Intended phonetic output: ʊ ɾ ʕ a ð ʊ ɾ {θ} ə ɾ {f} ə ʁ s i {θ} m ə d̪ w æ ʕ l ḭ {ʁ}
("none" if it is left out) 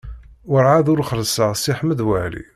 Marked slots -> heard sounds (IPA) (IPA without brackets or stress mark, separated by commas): χ, s, ħ, none